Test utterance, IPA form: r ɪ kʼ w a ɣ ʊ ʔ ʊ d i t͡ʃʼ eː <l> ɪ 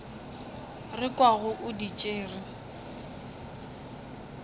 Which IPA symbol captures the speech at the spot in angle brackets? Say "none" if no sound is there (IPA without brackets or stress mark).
r